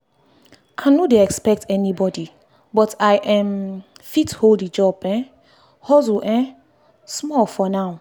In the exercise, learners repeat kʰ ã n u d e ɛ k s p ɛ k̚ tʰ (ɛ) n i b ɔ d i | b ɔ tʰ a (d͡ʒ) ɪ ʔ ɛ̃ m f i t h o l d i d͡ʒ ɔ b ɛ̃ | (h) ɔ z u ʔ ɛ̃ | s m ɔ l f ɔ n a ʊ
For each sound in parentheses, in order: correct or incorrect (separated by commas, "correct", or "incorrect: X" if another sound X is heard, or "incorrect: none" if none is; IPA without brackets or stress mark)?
correct, incorrect: none, correct